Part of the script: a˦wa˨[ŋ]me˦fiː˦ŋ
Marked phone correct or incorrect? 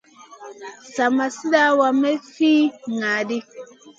incorrect